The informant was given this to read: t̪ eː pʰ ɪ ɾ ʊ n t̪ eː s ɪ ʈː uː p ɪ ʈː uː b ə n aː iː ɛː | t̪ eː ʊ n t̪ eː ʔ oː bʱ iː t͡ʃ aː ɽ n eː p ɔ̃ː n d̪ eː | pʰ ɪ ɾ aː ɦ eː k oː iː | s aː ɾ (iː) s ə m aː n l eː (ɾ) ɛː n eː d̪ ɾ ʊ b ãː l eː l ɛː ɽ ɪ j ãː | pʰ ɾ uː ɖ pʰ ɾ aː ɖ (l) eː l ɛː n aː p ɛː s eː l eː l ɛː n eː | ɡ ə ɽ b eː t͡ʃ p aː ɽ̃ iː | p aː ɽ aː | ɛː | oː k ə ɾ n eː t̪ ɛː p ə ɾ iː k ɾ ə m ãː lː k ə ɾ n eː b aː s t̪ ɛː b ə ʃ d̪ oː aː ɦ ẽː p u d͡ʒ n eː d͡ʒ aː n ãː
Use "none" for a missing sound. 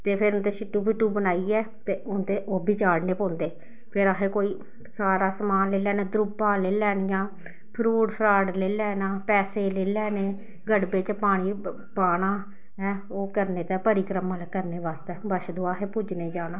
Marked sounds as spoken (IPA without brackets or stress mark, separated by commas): aː, l, l